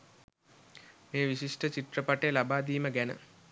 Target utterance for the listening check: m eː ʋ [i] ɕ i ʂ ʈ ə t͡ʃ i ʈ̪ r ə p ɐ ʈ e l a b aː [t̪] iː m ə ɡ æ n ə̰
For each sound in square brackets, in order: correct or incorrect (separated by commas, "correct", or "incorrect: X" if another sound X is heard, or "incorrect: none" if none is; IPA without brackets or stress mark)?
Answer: correct, incorrect: d̪